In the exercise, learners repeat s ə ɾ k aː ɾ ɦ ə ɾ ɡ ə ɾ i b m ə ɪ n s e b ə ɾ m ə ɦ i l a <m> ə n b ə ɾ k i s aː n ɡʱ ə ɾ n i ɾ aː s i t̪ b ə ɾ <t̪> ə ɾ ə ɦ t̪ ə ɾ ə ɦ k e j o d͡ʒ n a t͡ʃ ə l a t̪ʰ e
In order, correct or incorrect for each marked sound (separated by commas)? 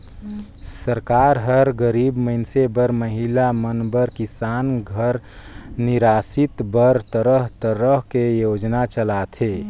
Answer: correct, correct